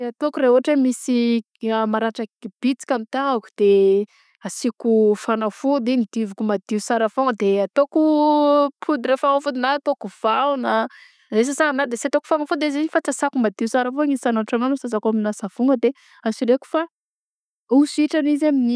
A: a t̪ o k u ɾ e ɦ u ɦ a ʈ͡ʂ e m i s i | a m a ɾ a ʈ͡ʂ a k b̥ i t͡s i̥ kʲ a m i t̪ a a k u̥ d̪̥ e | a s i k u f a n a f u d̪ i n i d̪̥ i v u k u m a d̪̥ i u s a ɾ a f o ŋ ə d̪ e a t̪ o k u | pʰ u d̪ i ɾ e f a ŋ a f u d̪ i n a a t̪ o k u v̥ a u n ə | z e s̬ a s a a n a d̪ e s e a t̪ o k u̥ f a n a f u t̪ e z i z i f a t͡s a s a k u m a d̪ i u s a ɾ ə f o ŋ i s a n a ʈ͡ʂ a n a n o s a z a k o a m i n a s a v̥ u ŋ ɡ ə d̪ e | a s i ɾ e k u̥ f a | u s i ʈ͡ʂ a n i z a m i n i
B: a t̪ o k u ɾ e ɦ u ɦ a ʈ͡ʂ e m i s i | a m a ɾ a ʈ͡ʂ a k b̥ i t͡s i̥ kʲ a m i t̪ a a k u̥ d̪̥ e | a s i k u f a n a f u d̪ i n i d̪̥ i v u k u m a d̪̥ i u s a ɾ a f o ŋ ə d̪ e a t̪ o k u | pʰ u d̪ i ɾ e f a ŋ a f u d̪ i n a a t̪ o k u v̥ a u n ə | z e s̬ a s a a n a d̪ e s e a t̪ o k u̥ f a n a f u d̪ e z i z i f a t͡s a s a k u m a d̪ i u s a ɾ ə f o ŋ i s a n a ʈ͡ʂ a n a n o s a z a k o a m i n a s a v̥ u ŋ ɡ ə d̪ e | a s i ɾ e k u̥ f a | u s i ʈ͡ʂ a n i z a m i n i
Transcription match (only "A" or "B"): B